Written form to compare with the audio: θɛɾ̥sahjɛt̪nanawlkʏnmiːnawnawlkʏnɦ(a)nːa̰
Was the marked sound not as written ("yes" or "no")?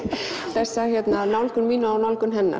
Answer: yes